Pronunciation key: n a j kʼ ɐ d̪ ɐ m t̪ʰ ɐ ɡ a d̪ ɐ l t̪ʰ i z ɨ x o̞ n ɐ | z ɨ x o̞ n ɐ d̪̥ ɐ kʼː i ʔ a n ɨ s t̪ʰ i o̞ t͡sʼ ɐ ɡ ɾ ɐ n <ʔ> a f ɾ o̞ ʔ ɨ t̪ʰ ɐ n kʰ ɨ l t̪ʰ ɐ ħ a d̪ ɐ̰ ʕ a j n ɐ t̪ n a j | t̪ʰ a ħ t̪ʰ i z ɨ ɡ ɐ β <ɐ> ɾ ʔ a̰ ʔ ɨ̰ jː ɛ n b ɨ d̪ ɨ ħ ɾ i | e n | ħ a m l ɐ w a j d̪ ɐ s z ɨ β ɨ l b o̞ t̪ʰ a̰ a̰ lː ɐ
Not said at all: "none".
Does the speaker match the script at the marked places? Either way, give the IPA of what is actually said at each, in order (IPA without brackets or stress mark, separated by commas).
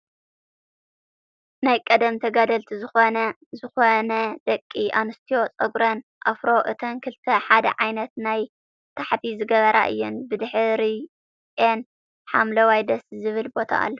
ʔ, ɐ